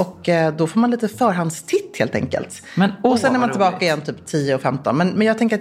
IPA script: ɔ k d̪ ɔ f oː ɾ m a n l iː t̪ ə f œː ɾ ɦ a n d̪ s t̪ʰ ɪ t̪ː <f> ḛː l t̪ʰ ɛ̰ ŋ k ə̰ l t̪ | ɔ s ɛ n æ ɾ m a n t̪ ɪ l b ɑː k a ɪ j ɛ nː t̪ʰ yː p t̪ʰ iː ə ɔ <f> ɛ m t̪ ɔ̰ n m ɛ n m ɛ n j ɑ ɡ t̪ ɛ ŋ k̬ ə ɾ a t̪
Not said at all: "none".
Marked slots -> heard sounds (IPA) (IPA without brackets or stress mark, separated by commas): h, f